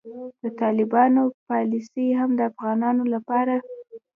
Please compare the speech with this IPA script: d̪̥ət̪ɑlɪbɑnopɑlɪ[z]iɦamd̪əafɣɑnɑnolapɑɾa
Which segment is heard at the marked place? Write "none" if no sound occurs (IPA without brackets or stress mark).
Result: s